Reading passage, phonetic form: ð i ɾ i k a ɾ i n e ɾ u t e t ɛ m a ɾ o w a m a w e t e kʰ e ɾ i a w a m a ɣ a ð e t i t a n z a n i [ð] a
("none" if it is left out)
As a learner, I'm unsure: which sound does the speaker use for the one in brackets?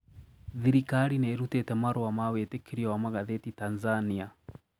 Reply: none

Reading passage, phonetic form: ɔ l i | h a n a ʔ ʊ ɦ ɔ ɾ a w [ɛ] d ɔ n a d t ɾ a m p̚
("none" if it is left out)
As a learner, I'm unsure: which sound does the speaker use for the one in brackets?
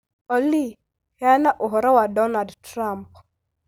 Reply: a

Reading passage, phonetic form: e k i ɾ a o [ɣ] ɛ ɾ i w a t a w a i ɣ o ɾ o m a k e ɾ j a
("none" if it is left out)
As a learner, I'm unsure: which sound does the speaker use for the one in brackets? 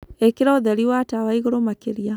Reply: ð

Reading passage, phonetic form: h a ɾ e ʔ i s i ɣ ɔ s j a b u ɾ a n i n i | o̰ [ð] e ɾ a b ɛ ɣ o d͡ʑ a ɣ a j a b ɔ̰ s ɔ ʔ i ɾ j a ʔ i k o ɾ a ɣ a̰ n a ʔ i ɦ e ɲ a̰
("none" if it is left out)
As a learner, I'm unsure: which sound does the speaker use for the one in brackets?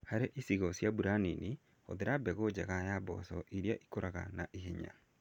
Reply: ð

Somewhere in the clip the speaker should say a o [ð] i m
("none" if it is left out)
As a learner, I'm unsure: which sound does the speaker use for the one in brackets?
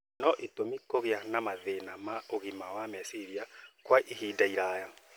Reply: ɣ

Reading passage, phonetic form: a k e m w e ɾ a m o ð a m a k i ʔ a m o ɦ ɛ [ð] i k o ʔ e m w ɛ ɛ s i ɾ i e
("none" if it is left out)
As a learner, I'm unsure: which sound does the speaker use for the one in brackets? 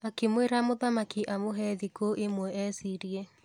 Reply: ð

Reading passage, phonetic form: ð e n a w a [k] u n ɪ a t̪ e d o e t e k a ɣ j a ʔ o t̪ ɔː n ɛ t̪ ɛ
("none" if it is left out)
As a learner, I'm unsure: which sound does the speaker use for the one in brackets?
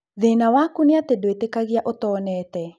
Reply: k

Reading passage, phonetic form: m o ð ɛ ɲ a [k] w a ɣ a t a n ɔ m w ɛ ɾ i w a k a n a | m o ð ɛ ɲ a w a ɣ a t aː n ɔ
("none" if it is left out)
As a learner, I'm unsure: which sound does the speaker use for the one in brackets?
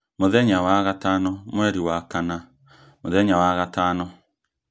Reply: none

